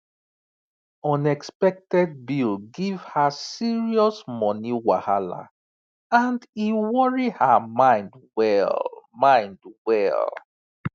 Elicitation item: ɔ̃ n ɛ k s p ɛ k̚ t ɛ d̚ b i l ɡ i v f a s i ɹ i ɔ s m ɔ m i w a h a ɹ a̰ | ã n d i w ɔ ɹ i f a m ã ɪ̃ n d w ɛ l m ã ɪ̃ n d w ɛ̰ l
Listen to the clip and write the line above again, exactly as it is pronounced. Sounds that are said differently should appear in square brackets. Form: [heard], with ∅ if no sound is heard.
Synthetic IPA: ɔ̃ n ɛ k s p ɛ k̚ t ɛ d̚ b i l ɡ i v [h] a s i ɹ i ɔ s m ɔ [n] i w a h a [l] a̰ | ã n d i w ɔ ɹ i [h] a m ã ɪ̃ n d w ɛ l m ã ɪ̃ n d w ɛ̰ l